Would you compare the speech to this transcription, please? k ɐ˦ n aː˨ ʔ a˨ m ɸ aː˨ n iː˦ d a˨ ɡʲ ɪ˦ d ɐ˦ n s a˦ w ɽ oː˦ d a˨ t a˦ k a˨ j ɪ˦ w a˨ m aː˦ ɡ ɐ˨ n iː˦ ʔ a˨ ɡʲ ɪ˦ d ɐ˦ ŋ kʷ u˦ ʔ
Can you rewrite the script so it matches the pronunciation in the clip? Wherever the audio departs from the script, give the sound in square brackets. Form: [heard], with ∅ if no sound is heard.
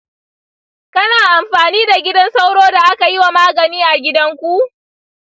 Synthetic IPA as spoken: k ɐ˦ n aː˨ ʔ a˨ m ɸ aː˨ n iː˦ d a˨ ɡʲ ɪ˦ d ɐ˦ n s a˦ w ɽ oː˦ d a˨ [ʔ] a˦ k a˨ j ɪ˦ w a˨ m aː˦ ɡ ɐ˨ n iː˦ ʔ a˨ ɡʲ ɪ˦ d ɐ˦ ŋ kʷ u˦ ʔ